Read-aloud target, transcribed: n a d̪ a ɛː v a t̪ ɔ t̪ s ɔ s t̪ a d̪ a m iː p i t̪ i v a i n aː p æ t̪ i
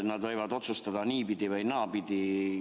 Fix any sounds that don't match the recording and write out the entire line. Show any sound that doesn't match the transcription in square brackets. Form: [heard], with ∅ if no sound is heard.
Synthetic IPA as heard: n a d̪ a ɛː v a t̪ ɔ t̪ s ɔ s t̪ a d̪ a [n] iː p i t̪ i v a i n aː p [i] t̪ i

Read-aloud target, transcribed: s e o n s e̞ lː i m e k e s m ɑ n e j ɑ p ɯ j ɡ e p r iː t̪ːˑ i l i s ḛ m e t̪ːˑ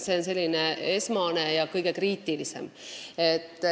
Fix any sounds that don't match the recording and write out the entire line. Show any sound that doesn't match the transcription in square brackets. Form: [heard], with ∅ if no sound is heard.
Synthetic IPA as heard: s e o n s e̞ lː i [n] e [∅] e s m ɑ n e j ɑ [k] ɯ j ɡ e [k] r iː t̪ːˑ i l i s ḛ m e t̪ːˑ

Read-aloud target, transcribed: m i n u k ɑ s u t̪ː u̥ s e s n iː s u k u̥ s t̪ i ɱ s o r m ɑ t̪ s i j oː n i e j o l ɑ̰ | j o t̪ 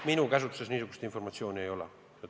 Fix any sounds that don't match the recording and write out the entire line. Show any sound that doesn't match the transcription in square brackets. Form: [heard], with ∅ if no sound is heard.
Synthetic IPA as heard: m i n u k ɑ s u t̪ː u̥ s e s n iː s u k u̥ s t̪ i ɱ [f] o r m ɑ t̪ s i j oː n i e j o l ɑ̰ | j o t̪

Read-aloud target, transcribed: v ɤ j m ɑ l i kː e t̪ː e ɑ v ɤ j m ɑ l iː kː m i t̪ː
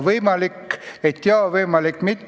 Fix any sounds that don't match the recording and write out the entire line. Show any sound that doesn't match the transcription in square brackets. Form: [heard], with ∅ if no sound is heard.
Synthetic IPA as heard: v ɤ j m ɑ l i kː e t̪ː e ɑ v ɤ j m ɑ l [i] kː m i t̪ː

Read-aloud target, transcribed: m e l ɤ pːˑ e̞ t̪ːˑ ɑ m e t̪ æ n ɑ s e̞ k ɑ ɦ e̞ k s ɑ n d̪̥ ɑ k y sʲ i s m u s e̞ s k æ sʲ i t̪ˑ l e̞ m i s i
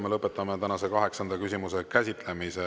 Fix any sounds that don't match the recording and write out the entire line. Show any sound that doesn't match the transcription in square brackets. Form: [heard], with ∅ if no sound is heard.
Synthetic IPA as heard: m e l ɤ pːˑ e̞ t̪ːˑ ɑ m e t̪ æ n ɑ s e̞ k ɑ ɦ e̞ k s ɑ n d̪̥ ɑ k y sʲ i [∅] m u s e̞ [∅] k æ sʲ i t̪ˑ l e̞ m i s [e]

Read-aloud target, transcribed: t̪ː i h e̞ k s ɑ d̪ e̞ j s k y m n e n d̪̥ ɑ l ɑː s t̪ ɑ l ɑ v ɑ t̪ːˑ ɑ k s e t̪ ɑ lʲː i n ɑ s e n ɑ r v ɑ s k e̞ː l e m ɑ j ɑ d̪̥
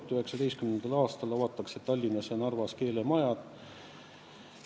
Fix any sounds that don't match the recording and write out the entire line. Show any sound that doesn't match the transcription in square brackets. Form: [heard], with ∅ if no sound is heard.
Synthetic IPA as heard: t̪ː [y] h e̞ k s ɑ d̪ e̞ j s k y m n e n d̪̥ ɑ l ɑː s t̪ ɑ l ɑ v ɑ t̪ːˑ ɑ k s e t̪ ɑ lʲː i n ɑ s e n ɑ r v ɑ s k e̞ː l e m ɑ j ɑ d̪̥

